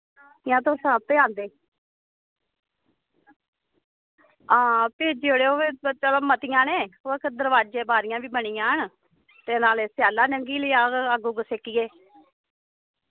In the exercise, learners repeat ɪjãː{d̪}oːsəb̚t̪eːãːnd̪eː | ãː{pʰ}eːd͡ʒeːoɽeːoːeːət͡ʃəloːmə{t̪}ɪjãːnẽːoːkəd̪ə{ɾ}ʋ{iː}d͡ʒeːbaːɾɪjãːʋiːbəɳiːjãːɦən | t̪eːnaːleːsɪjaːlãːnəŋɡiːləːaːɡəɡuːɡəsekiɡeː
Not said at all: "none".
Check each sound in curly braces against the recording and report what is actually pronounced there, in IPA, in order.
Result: t̪, p, t̪, ɾ, aː

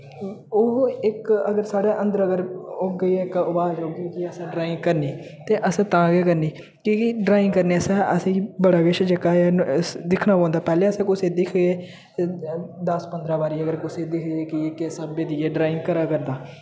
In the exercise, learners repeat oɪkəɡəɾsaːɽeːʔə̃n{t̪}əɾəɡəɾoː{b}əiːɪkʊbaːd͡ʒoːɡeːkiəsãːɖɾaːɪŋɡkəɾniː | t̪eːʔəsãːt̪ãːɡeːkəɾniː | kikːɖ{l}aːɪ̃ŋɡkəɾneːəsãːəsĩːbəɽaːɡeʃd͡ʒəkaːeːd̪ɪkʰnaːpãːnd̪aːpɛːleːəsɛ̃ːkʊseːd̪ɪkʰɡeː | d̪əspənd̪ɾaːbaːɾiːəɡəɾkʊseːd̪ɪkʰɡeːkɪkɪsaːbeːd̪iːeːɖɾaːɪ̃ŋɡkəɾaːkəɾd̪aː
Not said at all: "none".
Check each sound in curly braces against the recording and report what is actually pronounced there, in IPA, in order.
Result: d̪, ɡ, ɾ

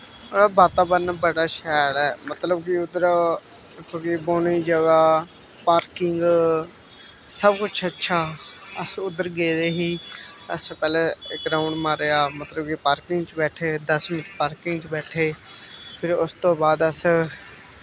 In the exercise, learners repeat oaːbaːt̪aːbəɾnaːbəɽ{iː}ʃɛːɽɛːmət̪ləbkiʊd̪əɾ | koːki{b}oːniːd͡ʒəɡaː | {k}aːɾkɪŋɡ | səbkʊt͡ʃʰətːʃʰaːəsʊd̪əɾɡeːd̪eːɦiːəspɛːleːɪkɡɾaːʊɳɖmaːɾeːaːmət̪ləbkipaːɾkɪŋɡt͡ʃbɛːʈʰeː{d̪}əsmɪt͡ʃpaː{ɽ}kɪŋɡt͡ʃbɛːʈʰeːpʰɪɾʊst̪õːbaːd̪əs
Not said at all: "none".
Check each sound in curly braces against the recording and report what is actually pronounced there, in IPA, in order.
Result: aː, b, p, d̪, ɾ

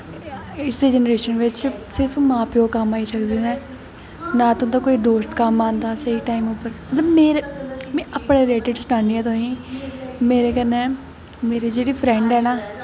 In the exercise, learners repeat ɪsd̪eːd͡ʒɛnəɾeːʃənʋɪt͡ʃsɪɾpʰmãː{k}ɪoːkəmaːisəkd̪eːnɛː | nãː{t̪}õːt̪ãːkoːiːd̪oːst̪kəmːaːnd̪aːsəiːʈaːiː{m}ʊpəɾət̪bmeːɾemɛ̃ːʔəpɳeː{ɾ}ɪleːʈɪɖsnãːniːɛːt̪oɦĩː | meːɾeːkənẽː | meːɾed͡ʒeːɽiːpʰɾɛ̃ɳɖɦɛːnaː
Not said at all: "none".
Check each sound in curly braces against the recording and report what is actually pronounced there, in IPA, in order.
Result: p, t̪, m, ɾ

